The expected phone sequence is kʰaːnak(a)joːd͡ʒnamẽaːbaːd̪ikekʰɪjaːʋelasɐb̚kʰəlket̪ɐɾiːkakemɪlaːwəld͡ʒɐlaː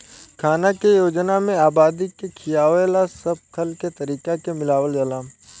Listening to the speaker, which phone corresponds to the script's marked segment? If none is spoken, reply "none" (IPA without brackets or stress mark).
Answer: e